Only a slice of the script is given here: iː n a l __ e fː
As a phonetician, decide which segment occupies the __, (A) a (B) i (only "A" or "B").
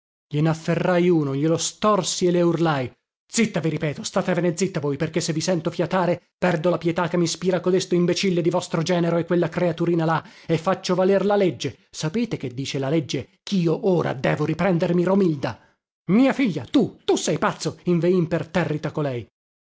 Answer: A